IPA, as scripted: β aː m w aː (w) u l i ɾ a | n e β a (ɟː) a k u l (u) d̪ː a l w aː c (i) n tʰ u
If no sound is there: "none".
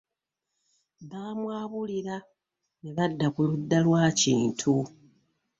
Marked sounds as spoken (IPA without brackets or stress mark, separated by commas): β, dː, u, iː